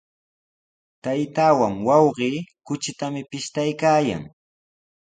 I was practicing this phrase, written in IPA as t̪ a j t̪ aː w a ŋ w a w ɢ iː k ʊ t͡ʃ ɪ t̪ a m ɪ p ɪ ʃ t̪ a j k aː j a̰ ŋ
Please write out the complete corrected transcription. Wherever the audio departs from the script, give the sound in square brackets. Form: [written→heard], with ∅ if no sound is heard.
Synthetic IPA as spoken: t̪ a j t̪ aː w a ŋ w [a→ɑ] w ɢ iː k ʊ t͡ʃ ɪ t̪ a m ɪ p ɪ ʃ t̪ a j k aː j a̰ ŋ